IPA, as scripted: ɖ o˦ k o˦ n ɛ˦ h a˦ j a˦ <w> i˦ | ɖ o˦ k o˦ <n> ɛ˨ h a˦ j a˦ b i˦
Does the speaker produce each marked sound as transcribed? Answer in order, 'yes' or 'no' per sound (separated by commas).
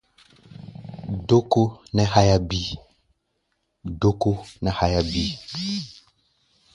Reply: no, yes